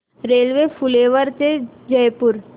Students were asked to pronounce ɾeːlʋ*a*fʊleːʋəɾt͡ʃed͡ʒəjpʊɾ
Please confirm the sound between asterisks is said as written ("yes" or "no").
no